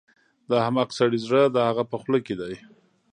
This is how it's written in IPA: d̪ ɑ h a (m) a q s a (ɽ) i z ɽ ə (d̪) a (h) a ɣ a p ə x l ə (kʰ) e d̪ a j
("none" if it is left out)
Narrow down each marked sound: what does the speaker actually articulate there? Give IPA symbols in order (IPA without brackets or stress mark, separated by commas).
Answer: m, ɽ, d̪, h, k